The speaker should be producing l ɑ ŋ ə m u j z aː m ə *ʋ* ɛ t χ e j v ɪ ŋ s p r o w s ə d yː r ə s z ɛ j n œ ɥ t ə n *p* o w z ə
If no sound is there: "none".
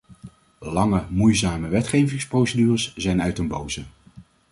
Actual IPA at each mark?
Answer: ʋ, b

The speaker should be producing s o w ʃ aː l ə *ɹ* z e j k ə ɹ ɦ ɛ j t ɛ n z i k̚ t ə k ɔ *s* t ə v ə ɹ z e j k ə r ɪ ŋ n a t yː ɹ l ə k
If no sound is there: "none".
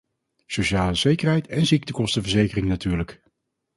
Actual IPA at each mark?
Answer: none, s

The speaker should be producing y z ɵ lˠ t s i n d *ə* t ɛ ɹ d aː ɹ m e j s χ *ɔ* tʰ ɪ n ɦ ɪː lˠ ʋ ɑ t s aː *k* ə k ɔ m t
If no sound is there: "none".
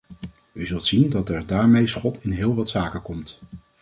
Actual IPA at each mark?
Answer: ɑ, ɔ, k

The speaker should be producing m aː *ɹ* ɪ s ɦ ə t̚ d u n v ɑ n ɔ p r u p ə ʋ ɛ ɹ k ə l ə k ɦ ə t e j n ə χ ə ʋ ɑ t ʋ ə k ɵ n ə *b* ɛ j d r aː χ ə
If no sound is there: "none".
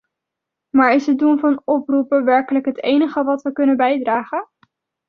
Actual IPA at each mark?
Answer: ɹ, b

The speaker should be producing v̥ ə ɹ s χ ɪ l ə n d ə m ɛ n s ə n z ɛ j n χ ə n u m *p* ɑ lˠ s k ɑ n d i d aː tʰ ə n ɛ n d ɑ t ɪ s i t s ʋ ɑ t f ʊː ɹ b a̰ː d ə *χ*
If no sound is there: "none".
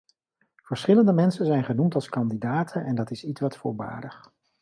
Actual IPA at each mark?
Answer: t, χ

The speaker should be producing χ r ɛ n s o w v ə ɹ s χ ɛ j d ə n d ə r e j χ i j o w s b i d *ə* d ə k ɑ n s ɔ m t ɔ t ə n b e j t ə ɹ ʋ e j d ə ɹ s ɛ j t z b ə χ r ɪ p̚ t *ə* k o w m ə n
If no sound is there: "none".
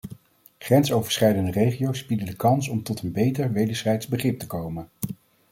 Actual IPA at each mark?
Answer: ə, ə

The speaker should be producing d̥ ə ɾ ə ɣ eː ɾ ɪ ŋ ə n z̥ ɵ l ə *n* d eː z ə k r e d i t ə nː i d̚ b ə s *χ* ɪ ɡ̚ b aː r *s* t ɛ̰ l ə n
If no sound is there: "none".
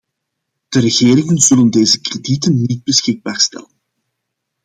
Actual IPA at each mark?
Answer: n, x, s

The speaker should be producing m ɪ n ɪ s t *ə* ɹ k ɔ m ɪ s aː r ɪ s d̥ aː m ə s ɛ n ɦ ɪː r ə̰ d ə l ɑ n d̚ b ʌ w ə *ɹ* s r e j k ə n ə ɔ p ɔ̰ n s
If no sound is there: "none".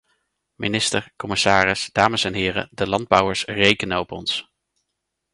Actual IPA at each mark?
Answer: ə, ɹ

